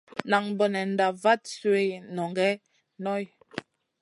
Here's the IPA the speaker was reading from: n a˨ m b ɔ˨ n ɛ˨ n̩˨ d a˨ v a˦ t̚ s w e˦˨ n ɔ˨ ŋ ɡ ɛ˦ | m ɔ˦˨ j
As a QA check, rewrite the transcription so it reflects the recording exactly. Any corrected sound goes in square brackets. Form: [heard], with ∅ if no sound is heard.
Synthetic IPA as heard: n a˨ [ŋ] b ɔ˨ n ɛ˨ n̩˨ d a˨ v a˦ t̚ s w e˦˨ n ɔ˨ ŋ ɡ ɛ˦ | [n] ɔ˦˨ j